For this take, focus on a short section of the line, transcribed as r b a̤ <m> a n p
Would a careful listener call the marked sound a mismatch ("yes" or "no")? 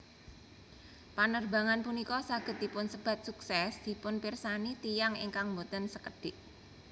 yes